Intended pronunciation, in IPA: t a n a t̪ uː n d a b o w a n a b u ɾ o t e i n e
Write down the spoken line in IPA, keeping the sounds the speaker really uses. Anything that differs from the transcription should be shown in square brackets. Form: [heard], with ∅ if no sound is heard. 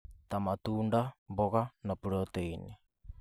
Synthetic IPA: t a [m] a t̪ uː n d a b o [ɣ] a n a [p] u ɾ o t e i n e